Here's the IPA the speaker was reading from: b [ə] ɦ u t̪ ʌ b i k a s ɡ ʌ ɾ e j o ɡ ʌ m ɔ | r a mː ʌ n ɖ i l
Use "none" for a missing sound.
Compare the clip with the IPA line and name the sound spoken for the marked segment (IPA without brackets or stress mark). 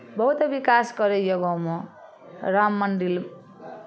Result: ʌ